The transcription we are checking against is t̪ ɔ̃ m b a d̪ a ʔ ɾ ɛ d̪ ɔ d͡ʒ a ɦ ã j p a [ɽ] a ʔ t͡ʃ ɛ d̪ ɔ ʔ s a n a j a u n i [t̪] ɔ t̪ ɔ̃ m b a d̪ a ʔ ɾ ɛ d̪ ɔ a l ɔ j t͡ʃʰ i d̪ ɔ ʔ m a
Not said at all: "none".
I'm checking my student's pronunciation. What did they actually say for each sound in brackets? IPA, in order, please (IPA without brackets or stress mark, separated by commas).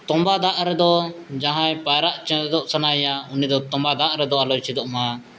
ɾ, d̪